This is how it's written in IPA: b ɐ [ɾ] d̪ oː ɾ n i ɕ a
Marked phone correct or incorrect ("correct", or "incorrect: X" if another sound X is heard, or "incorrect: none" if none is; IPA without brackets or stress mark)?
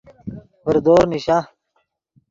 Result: correct